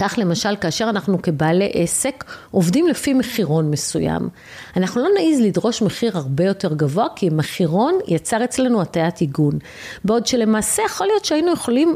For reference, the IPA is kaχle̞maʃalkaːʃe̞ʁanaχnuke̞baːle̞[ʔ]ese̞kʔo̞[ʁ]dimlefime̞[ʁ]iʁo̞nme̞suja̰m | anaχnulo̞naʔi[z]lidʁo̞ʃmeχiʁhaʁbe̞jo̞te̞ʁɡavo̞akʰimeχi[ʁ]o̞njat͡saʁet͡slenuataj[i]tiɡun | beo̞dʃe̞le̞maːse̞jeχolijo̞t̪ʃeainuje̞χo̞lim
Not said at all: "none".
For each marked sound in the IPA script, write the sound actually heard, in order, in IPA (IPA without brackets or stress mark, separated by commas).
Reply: ʔ, v, χ, z, ʁ, a